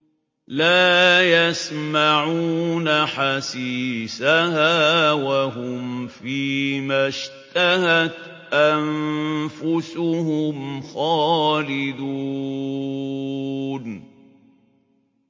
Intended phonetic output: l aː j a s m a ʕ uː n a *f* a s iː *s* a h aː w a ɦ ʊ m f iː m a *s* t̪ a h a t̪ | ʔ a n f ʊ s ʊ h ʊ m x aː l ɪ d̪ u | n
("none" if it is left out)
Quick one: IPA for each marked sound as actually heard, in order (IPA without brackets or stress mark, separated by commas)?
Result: ħ, s, ʃ